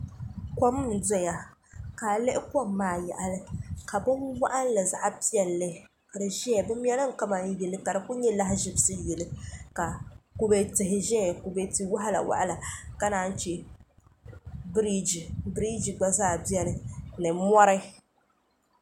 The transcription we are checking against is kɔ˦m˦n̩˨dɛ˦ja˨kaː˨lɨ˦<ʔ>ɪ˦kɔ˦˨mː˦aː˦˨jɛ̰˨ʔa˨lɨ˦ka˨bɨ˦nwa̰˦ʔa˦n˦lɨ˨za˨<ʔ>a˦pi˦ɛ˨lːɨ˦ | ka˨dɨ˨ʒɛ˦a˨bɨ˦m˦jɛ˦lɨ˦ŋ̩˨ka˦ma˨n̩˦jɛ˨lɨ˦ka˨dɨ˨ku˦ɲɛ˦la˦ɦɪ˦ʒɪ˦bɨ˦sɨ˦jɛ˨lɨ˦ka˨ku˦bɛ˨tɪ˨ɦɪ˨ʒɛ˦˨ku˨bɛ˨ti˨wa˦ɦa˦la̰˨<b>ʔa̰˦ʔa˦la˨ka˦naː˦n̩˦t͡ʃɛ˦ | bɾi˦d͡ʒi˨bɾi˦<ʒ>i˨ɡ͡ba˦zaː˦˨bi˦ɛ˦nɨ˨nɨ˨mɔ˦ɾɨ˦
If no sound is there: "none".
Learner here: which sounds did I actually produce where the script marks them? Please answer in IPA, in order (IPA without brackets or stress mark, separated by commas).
ʔ, ʔ, w, d͡ʒ